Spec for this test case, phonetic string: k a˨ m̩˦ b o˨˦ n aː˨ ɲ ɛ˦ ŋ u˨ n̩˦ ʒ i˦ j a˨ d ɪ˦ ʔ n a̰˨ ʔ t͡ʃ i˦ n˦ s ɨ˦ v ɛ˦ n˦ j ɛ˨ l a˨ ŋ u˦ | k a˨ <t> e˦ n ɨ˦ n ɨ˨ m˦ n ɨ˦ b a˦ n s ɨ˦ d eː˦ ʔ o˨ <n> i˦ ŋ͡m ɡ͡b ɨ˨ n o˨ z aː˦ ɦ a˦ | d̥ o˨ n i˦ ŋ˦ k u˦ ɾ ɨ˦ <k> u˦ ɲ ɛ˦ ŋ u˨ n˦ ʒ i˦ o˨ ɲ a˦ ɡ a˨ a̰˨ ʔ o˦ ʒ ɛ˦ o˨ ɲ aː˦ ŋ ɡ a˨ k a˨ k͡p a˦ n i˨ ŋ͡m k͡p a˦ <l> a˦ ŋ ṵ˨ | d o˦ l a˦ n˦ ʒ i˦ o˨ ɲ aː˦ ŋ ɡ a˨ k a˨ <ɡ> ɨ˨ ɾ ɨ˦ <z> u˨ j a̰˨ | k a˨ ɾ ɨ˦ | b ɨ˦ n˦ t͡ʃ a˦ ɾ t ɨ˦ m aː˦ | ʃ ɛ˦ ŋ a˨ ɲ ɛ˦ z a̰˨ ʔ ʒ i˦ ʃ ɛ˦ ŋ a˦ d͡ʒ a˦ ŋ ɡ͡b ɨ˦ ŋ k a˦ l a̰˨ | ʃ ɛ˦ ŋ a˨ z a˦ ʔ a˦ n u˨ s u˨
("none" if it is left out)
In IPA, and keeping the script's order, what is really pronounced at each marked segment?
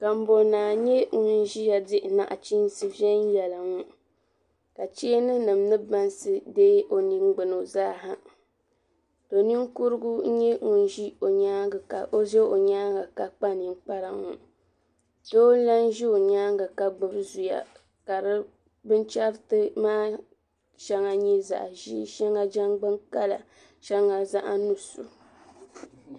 t͡ʃ, n, ɡ, ɾ, ɡ͡b, z

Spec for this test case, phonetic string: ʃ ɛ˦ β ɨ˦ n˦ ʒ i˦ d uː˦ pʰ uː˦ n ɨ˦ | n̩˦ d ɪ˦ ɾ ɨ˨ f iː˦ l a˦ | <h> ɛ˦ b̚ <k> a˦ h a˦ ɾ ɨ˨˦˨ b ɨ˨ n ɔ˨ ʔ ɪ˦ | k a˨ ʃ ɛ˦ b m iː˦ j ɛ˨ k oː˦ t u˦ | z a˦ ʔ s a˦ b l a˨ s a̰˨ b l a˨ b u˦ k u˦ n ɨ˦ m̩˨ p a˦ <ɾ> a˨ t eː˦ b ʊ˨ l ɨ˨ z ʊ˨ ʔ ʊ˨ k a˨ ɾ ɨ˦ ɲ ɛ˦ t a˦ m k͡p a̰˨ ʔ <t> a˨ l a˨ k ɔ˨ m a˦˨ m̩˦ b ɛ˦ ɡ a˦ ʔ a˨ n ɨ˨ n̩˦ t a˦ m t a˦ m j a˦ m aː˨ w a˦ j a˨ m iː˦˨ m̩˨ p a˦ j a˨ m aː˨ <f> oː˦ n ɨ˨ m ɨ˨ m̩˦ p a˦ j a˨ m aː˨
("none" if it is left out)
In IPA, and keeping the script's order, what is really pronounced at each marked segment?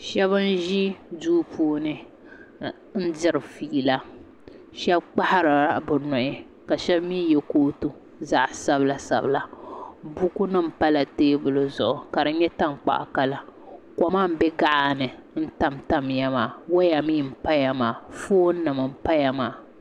ʃ, k͡p, l, k, f

